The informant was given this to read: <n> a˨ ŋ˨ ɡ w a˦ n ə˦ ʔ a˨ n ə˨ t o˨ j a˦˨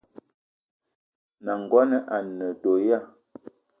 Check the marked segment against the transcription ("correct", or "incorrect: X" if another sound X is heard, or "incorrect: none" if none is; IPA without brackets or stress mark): correct